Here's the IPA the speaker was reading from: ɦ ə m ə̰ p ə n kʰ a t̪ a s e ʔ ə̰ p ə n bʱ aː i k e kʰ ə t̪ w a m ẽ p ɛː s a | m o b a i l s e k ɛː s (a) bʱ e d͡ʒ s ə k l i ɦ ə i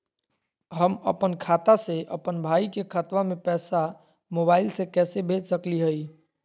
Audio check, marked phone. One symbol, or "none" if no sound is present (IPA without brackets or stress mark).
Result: e